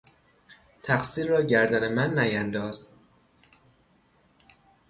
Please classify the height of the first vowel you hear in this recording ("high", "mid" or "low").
low